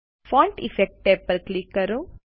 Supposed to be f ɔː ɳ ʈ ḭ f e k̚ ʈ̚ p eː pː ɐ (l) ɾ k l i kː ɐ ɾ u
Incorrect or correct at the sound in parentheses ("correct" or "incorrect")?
incorrect